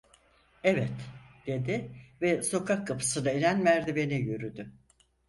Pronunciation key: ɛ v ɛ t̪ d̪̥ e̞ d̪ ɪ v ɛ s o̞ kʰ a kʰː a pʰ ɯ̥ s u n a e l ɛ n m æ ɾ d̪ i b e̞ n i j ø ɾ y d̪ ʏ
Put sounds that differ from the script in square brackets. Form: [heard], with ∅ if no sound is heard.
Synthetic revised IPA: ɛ v ɛ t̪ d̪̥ e̞ d̪ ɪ v ɛ s o̞ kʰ a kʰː a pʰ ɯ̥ s [ɯ] n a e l [æ] n m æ ɾ d̪ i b e̞ n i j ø ɾ y d̪ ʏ